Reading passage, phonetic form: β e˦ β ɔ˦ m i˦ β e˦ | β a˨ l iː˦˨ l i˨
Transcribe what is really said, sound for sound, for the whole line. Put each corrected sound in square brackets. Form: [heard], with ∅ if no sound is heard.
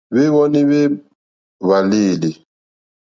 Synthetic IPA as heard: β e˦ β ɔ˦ [n] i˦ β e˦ | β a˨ l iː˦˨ l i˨